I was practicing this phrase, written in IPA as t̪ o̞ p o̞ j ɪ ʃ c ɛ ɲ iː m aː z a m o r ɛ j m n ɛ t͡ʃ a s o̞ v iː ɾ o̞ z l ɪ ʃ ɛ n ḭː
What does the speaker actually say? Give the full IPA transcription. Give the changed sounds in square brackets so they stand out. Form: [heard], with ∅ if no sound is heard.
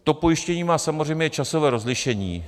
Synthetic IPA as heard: t̪ o̞ p o̞ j ɪ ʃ c ɛ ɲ iː m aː [s] a m o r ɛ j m [ɲ] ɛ t͡ʃ a s o̞ v [ɛː] ɾ o̞ z l ɪ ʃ ɛ [ɲ] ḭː